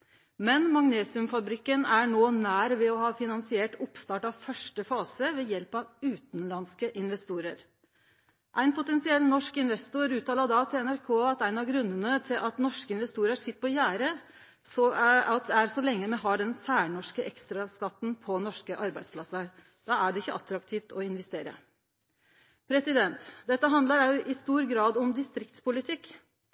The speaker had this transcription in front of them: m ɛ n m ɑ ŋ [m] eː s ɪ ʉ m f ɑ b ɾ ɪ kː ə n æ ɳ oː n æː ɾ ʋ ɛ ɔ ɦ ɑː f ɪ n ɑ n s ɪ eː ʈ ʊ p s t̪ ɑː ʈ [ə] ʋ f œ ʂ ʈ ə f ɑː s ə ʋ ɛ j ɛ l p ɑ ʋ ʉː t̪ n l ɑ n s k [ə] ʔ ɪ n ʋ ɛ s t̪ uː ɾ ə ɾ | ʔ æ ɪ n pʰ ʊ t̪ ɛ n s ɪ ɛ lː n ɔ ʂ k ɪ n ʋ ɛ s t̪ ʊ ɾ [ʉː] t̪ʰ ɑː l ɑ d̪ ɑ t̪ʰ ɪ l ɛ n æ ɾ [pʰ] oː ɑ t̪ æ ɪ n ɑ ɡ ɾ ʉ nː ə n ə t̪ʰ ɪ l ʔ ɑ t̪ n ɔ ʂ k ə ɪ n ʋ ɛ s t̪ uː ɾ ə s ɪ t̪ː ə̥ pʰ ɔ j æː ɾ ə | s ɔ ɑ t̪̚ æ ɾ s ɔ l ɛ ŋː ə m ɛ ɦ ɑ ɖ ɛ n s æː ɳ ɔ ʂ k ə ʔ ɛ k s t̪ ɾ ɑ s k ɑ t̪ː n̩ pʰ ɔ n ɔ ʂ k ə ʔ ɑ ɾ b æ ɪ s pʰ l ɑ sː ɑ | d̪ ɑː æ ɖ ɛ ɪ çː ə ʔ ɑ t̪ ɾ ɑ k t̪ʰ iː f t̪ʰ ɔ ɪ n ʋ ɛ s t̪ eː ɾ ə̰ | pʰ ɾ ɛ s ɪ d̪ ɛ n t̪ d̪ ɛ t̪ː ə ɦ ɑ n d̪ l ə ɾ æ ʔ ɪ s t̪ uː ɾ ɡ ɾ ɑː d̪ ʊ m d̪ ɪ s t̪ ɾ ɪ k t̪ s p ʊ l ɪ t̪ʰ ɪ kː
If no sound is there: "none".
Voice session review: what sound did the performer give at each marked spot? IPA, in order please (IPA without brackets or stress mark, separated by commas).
n, ɑ, ə, ʉː, kʰ